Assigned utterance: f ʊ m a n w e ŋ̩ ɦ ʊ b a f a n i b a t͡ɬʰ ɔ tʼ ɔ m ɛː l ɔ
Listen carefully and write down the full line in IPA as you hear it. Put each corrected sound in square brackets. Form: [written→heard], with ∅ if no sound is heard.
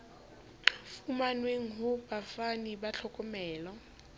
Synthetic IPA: f [ʊ→u] m a n w e ŋ̩ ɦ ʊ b a f a n i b a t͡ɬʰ ɔ [tʼ→kʼ] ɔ m ɛː l ɔ